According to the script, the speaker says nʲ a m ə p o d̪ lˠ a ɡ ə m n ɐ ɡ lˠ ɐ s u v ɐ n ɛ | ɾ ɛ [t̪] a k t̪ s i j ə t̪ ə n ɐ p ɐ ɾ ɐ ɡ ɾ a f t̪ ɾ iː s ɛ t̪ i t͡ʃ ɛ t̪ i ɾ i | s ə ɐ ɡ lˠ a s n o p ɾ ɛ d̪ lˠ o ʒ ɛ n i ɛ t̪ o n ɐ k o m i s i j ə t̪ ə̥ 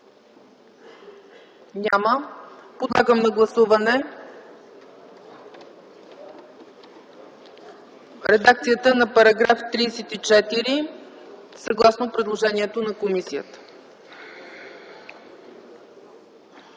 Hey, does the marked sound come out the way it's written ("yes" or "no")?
no